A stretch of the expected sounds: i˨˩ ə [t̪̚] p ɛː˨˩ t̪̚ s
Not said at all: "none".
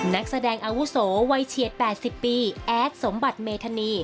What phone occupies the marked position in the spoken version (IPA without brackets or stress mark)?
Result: t̪̚